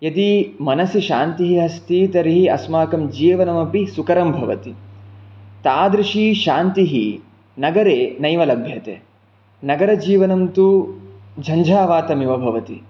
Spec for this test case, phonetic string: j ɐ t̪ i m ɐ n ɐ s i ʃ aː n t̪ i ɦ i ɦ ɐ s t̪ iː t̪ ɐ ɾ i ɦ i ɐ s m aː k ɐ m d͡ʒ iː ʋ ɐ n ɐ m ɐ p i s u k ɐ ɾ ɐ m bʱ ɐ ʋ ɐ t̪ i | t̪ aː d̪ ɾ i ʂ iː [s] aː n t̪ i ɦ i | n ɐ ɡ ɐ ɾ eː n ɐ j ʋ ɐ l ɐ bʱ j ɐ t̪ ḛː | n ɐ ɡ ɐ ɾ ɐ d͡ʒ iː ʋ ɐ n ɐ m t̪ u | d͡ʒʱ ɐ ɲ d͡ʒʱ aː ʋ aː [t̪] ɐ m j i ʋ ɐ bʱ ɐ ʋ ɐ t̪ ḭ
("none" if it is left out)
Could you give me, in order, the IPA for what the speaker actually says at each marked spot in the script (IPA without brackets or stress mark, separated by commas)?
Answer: ʃ, t̪